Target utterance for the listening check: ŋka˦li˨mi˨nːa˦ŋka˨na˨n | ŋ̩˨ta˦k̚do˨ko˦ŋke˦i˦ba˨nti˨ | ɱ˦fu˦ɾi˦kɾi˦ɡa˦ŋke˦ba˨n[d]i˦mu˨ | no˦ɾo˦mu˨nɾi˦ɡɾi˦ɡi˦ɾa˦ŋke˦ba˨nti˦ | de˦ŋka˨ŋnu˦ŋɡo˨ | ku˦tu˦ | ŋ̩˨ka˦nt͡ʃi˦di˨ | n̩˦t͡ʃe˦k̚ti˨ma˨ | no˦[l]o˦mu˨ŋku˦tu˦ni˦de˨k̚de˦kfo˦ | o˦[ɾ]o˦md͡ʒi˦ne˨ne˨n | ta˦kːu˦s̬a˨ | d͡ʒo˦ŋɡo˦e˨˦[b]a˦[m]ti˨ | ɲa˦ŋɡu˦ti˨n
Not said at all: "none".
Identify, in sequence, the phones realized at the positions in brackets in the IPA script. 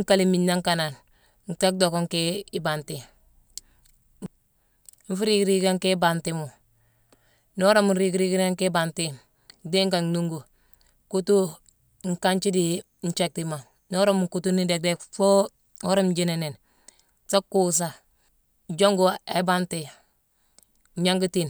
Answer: t, ɾ, ɾ, b, n

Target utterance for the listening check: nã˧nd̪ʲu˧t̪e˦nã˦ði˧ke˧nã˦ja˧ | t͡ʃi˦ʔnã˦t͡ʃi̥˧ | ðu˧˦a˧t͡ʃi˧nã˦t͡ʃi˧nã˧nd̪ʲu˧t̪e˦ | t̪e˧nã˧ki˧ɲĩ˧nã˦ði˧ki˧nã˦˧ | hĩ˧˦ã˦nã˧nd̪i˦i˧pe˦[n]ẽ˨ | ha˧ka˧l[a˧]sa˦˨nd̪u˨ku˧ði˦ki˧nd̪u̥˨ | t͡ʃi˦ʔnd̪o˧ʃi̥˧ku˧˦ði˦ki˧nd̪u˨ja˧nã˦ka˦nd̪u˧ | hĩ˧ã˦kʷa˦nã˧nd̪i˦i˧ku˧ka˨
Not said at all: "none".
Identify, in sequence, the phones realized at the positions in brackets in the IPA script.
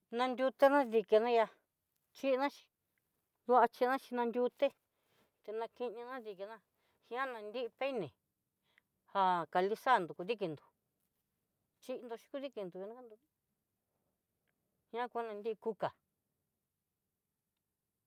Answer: n, i˧

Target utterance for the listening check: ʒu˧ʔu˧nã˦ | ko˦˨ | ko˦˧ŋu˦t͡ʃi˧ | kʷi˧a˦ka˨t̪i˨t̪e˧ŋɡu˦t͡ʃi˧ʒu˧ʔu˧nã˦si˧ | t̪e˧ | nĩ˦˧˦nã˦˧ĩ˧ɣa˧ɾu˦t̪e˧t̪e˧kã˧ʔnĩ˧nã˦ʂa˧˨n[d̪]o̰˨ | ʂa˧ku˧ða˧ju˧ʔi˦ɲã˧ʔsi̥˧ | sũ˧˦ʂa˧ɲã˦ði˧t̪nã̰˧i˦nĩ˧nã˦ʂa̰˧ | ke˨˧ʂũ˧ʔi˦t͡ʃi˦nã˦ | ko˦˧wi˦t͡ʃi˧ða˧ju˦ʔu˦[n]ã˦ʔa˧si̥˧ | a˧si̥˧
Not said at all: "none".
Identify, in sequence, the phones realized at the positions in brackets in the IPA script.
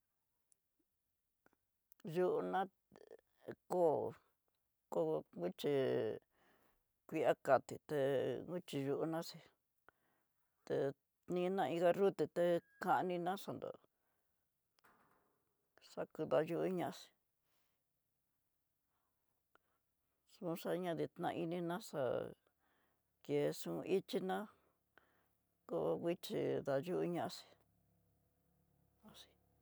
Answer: d̪, ɲ

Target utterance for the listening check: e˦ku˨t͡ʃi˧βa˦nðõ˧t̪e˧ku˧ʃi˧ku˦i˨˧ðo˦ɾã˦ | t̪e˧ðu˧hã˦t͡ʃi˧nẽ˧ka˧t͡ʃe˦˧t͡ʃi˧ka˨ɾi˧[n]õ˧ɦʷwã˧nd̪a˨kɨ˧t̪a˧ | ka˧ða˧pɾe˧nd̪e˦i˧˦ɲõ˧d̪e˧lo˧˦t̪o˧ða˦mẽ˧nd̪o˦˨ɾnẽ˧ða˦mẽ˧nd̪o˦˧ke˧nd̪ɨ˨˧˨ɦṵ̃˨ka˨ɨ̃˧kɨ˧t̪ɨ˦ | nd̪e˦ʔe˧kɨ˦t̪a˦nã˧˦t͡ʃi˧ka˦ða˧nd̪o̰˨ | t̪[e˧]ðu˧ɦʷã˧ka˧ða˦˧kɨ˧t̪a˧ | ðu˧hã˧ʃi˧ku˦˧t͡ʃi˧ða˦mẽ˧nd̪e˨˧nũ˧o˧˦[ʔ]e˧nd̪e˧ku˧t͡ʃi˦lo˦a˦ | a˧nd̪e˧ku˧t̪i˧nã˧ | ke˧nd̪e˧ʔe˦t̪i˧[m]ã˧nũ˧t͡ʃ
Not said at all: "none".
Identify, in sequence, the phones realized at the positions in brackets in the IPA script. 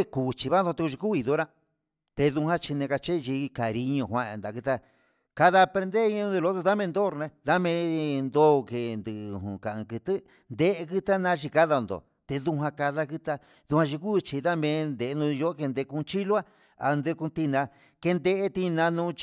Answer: ɲ, e˧, k, n

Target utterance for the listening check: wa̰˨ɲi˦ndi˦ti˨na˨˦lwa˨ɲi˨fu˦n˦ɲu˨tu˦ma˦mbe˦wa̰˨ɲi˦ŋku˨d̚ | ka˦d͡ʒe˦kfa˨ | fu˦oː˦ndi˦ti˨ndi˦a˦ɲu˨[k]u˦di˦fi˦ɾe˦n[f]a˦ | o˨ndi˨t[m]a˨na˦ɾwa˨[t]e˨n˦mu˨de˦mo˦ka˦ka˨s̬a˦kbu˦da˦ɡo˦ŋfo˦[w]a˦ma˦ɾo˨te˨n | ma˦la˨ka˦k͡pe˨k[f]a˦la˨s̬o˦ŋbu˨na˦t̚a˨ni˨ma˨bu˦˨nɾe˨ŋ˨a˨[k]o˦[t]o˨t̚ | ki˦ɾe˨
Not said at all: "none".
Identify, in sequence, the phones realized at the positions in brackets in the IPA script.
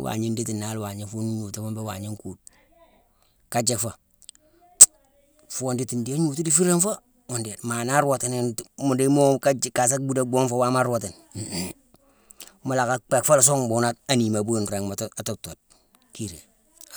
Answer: t, f, m, t, w, f, t, t

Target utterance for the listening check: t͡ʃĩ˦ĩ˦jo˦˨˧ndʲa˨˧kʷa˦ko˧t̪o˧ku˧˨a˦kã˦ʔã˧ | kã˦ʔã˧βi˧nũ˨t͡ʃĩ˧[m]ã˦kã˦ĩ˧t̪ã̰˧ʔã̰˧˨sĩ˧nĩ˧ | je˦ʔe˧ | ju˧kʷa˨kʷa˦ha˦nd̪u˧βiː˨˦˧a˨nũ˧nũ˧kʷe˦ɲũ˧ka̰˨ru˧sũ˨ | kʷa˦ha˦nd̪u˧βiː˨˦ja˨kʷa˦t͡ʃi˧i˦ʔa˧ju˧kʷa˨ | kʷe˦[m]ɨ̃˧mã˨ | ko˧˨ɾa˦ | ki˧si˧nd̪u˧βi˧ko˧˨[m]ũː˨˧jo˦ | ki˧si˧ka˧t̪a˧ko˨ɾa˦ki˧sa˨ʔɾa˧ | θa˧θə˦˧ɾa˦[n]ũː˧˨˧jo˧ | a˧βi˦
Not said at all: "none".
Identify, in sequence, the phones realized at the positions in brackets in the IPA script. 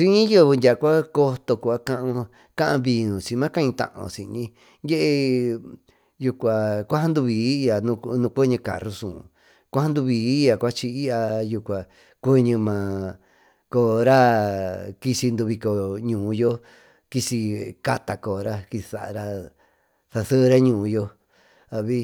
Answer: m, ɲ, ɲ, ɲ

